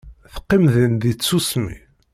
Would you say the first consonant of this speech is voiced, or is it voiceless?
voiceless